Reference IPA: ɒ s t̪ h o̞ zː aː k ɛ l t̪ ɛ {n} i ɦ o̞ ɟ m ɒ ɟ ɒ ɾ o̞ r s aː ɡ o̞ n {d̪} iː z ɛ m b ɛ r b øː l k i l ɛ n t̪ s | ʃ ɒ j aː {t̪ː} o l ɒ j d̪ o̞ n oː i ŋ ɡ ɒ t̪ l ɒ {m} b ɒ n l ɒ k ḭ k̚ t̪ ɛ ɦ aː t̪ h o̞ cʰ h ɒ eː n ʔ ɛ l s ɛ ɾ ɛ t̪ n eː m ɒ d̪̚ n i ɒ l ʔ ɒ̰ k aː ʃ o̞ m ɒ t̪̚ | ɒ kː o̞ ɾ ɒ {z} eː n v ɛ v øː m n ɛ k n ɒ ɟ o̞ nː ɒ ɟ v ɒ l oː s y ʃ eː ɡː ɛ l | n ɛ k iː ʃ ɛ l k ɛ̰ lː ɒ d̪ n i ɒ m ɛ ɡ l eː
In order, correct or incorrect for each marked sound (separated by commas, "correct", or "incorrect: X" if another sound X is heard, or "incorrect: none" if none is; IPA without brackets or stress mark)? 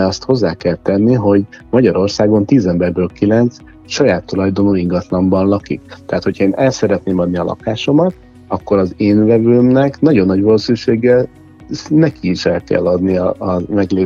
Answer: incorrect: nː, incorrect: t̪, correct, correct, correct